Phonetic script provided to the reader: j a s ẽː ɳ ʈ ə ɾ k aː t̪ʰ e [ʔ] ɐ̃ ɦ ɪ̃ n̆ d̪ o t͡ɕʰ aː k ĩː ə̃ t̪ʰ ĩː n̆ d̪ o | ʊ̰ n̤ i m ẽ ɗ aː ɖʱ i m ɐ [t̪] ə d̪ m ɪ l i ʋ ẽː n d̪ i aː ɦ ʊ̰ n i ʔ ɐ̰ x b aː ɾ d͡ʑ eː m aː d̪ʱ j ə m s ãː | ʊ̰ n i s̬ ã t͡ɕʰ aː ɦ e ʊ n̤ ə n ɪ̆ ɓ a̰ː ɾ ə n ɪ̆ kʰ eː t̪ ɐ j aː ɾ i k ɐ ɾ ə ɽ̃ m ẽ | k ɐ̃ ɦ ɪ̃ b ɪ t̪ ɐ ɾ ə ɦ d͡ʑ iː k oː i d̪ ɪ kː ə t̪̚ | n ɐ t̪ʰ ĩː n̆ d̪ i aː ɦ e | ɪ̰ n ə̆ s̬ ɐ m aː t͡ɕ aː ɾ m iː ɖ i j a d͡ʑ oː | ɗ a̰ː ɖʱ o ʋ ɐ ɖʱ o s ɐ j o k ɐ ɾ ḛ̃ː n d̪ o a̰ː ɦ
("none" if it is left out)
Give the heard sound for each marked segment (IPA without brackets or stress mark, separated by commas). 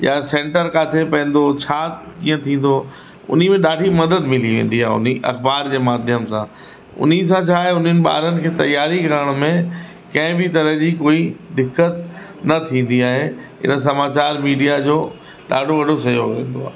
p, d̪